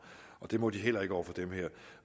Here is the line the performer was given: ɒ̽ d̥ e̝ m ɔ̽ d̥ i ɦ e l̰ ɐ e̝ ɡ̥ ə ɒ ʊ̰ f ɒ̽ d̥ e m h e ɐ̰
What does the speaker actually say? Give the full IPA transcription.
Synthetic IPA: ɒ̽ d̥ e̝ m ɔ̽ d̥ i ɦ e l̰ ɐ e̝ ɡ̥ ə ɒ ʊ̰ f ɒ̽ d̥ e m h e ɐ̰